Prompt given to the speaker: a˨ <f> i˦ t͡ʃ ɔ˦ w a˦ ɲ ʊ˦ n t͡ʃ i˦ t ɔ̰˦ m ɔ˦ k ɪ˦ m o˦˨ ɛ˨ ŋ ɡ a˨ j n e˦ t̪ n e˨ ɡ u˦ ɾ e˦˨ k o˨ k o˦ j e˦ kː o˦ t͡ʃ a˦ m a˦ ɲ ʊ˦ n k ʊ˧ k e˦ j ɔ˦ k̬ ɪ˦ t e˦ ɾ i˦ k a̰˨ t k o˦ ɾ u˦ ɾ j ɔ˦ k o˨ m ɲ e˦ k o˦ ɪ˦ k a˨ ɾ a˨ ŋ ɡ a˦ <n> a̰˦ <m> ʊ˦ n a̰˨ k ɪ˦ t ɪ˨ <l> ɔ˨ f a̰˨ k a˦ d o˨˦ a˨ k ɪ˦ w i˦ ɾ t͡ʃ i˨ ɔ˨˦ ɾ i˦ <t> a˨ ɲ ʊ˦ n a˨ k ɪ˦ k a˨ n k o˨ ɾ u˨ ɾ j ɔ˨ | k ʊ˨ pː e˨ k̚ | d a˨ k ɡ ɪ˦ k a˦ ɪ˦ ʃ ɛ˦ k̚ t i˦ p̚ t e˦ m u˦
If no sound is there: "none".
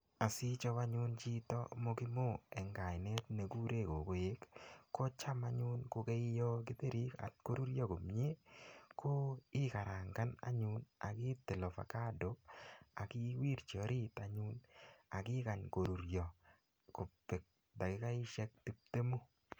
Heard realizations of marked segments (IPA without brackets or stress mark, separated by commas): s, n, ɲ, l, t